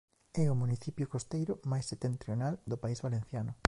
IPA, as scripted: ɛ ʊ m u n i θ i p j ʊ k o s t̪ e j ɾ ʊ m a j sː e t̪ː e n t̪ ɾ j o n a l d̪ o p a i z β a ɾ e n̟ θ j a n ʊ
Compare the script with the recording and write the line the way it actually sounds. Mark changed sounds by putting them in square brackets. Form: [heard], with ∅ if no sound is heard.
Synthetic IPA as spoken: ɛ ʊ m u n i θ i p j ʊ k o s t̪ e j ɾ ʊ m a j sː e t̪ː e n t̪ ɾ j o n a l d̪ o p a i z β a [l] e n̟ θ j a n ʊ